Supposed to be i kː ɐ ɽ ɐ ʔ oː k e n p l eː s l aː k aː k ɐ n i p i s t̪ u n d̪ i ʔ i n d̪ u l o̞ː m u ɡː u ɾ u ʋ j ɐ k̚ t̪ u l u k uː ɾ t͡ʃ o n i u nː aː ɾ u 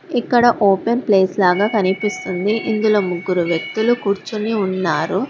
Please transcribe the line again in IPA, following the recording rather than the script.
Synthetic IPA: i kː ɐ ɽ ɐ ʔ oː p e n p l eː s l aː ɡ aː k ɐ n i p i s t̪ u n d̪ i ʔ i n d̪ u l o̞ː m u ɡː u ɾ u ʋ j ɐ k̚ t̪ u l u k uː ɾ t͡ʃ u n i u nː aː ɾ u